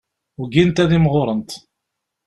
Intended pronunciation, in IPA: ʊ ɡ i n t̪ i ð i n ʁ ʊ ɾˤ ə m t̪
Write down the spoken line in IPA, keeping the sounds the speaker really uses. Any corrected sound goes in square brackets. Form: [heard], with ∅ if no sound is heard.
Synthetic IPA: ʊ ɡ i n t̪ [æ] ð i [m] ʁ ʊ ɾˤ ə [n] t̪